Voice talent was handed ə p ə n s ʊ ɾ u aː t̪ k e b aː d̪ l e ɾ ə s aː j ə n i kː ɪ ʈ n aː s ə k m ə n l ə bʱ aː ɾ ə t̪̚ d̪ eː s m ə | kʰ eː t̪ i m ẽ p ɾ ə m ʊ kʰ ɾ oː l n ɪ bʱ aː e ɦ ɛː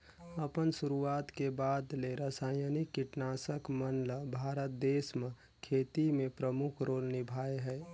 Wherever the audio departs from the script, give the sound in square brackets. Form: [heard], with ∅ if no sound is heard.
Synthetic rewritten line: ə p ə n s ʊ ɾ u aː t̪ k e b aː d̪ l e ɾ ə s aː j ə n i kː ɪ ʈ n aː s ə k m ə n l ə bʱ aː ɾ ə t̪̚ d̪ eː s m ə | kʰ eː t̪ i m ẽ p ɾ ə m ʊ kʰ ɾ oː l n ɪ bʱ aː e ɦ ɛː